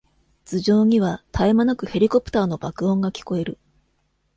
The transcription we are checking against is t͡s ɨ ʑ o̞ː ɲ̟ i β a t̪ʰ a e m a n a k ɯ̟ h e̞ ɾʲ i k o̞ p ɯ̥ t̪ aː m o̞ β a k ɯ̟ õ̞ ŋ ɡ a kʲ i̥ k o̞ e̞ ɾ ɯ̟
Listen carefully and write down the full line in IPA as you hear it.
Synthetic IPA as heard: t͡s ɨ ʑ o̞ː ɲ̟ i β a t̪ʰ a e m a n a k ɯ̟ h e̞ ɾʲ i k o̞ p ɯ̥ t̪ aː n o̞ b a k ɯ̟ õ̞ ŋ ɡ a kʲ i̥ k o̞ e̞ ɾ ɯ̟